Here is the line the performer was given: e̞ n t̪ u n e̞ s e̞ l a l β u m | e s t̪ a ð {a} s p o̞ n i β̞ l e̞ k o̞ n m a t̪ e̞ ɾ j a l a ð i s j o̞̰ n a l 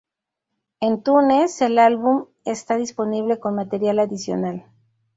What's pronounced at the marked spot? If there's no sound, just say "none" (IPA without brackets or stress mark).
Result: i